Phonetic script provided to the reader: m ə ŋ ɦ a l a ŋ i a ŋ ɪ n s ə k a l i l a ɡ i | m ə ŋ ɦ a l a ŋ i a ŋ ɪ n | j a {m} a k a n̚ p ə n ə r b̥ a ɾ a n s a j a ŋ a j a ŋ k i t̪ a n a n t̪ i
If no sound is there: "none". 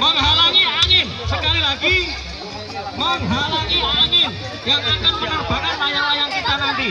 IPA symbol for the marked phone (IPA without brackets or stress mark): ŋ